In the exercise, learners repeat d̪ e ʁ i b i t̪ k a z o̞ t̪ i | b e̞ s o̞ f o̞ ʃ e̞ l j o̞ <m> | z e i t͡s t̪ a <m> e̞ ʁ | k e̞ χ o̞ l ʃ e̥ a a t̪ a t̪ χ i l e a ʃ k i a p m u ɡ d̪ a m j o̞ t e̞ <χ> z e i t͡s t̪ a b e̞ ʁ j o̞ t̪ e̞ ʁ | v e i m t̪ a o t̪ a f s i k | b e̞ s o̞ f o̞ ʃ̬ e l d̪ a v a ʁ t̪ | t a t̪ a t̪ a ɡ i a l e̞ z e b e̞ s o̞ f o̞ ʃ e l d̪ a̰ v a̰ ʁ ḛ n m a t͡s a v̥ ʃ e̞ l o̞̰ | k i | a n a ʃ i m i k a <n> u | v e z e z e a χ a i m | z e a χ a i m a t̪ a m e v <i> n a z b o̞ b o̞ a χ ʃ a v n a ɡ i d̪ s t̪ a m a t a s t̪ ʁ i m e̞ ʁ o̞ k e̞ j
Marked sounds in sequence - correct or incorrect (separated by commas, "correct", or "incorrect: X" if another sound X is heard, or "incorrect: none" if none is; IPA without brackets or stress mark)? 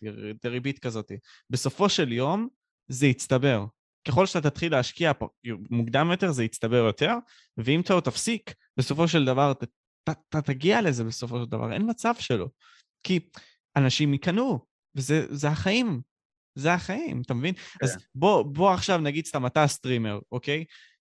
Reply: correct, incorrect: b, incorrect: ʁ, correct, correct